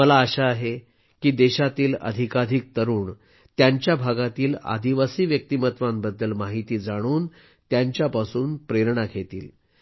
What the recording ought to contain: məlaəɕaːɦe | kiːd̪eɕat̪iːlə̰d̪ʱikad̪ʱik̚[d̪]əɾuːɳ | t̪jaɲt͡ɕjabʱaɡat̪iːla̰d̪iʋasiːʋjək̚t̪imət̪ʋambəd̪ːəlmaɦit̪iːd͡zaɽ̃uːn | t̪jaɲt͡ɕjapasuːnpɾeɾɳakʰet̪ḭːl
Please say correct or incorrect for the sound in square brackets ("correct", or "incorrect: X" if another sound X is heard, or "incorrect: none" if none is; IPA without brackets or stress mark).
incorrect: t̪